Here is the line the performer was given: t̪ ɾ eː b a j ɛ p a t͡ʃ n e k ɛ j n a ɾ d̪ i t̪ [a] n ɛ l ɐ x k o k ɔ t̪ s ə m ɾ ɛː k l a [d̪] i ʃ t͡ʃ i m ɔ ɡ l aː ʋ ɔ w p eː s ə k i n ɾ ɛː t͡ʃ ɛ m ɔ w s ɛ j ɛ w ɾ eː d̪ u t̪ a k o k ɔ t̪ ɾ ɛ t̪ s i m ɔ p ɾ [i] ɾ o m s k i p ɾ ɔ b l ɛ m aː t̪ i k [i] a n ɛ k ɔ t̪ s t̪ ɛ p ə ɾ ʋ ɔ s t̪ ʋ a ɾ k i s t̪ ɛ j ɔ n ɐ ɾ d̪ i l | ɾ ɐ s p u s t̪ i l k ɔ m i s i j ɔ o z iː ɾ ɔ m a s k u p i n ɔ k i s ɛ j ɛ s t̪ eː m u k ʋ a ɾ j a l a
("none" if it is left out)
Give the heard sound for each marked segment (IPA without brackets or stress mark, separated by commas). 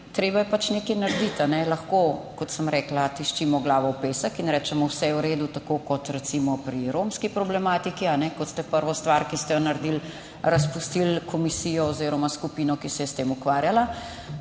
a, t̪, i, i